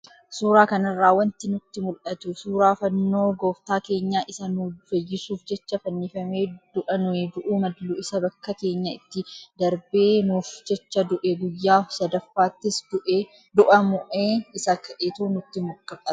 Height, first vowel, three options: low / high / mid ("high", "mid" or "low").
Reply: high